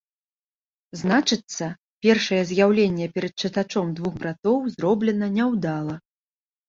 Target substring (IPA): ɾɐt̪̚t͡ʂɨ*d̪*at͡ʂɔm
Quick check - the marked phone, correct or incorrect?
incorrect: t̪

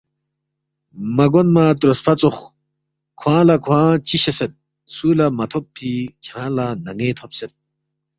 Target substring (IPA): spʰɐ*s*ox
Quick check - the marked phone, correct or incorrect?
incorrect: t͡s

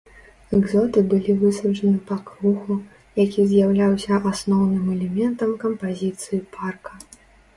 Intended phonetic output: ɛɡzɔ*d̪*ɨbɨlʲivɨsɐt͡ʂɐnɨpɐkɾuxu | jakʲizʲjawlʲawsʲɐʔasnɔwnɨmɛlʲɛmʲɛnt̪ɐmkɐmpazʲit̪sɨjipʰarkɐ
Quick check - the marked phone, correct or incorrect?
incorrect: t̪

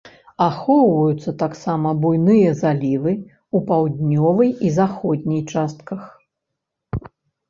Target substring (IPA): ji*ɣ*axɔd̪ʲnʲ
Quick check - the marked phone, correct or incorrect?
incorrect: z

